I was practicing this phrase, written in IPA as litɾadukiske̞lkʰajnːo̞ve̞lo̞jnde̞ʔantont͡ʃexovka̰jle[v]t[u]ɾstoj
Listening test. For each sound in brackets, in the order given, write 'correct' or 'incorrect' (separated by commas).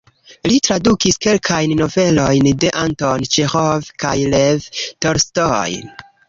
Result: correct, incorrect